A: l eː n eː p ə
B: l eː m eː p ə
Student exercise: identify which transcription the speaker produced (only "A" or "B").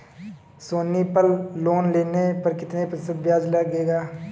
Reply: A